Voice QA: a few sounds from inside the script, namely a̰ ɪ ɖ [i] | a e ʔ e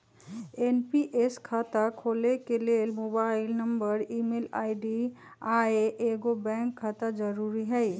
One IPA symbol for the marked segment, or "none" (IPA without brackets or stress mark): i